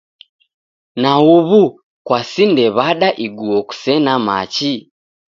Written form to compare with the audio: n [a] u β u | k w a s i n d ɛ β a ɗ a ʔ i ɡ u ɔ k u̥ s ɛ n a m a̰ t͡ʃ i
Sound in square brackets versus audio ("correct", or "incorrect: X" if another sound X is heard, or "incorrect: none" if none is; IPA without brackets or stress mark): correct